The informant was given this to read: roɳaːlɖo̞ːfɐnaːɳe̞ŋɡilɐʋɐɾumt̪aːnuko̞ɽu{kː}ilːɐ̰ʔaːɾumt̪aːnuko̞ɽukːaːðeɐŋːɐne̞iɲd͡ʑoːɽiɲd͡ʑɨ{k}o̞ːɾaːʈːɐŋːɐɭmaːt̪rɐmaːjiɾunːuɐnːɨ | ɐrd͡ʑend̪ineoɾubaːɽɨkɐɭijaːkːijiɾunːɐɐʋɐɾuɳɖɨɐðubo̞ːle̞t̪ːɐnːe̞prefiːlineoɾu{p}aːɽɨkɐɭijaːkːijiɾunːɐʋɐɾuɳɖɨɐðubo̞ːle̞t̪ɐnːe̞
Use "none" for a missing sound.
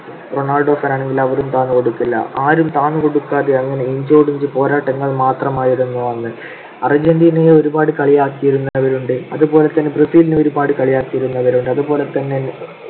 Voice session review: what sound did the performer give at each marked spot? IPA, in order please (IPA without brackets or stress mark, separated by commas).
kː, p, b